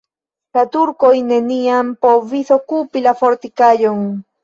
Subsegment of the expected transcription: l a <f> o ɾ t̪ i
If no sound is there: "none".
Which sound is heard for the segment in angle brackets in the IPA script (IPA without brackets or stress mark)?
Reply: f